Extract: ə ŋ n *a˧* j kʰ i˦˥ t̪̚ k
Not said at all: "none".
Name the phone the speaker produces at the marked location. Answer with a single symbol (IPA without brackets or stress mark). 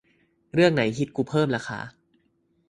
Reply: a˩˦